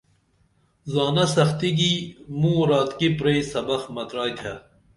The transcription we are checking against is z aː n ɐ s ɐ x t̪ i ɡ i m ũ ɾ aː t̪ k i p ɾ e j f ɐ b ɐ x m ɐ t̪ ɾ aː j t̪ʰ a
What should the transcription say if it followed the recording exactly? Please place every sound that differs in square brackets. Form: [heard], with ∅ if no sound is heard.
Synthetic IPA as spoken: z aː n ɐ s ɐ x t̪ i ɡ i m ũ ɾ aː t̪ k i p ɾ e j [s] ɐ b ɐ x m ɐ t̪ ɾ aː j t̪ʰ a